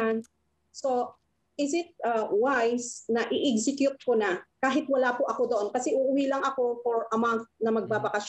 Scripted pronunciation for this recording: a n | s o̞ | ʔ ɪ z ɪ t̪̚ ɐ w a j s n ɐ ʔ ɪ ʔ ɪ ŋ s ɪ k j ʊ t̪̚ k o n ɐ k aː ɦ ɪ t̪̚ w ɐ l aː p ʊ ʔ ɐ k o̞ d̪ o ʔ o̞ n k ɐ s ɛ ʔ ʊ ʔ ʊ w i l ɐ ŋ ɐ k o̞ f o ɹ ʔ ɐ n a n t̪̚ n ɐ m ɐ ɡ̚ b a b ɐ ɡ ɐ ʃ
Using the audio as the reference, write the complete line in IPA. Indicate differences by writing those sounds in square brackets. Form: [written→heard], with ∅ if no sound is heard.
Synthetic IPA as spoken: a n | s o̞ | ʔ ɪ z ɪ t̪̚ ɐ w a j s n ɐ ʔ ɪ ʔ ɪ [ŋ→ɡ] s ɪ k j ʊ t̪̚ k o n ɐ k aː ɦ ɪ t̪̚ w ɐ l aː p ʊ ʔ ɐ k o̞ d̪ o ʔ o̞ n k ɐ s ɛ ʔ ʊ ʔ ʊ w i l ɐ ŋ ɐ k o̞ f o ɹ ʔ ɐ [n→m] a n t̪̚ n ɐ m ɐ ɡ̚ b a b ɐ [ɡ→k] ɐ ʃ